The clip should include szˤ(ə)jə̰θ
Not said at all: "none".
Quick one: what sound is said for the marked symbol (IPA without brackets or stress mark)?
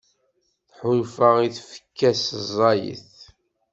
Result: ɑ